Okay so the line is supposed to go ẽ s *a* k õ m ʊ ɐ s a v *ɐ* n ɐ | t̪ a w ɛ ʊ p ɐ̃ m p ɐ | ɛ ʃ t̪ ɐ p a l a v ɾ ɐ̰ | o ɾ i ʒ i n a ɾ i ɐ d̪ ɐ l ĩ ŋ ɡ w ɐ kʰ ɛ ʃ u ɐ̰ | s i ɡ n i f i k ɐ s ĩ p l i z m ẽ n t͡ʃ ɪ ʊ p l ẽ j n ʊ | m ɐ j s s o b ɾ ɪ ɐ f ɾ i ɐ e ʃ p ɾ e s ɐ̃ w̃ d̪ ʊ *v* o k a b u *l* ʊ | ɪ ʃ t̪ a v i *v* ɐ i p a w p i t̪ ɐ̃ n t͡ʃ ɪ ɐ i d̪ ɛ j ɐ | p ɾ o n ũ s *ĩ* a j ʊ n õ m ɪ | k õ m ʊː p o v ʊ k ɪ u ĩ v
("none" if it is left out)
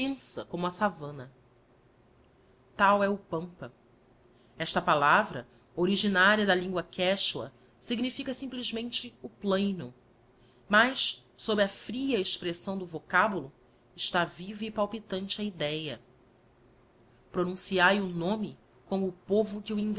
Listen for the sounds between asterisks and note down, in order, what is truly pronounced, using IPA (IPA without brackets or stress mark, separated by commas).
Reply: ɐ, ɐ̃, v, l, v, i